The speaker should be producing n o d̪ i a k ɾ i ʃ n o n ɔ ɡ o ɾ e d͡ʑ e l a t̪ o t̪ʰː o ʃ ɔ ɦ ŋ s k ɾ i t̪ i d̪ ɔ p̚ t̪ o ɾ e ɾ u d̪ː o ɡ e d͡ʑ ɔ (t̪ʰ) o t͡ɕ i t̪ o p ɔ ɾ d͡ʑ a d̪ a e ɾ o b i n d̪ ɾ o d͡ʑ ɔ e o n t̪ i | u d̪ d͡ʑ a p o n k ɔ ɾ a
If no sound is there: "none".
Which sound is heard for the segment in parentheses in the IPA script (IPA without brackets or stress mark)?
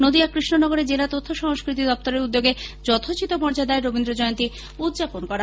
t̪ʰ